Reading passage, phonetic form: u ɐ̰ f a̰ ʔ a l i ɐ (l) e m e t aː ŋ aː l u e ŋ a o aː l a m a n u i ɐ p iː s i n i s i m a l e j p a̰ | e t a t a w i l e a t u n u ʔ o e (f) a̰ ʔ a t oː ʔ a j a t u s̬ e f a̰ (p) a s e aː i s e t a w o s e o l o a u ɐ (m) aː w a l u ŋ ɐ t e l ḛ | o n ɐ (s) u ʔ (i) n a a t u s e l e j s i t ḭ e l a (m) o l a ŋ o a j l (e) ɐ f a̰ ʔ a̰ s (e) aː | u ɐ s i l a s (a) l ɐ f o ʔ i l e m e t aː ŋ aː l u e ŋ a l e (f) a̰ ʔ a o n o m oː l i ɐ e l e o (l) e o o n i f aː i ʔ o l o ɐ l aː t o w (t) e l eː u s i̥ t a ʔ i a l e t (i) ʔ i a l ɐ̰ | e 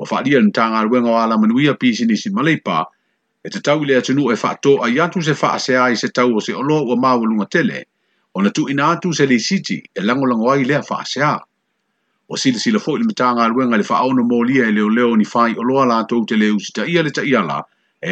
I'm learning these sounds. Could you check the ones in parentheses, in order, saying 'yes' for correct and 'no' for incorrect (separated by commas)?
yes, yes, no, yes, no, yes, no, yes, yes, no, yes, yes, yes, no